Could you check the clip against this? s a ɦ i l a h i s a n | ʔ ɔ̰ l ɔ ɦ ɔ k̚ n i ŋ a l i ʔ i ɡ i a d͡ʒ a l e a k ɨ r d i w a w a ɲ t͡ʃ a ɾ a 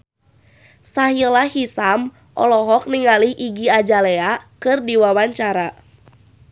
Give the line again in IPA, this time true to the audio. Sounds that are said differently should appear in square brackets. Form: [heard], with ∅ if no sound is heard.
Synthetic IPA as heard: s a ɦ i l a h i s a [m] | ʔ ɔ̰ l ɔ ɦ ɔ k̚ n i ŋ a l i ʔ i ɡ i a d͡ʒ a l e a k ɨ r d i w a w a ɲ t͡ʃ a ɾ a